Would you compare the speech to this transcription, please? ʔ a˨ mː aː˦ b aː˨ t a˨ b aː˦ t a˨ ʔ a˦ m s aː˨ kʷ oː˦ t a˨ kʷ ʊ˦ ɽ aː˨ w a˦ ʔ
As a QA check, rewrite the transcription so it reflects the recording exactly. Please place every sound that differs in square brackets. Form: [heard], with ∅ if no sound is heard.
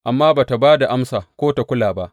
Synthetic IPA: ʔ a˨ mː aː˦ b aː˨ t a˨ b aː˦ [d] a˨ ʔ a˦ m s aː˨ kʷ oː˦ t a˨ kʷ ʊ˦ [l] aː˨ [b] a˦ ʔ